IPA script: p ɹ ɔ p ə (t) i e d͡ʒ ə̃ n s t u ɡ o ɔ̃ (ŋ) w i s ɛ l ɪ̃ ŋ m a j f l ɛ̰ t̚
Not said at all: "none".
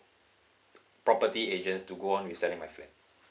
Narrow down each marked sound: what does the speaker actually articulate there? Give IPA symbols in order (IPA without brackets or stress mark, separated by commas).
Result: t, n